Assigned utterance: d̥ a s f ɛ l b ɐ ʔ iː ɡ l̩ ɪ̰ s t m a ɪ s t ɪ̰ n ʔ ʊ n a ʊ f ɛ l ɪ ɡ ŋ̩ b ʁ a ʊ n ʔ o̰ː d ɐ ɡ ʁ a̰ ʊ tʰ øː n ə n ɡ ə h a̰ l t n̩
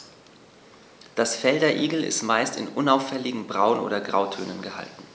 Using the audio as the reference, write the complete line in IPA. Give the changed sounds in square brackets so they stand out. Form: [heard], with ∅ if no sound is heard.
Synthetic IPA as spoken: d̥ a s f ɛ l [d] ɐ ʔ iː ɡ l̩ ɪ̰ s t m a ɪ s t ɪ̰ n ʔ ʊ n a ʊ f ɛ l ɪ ɡ ŋ̩ b ʁ a ʊ n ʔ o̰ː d ɐ ɡ ʁ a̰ ʊ tʰ øː n ə n ɡ ə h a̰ l t n̩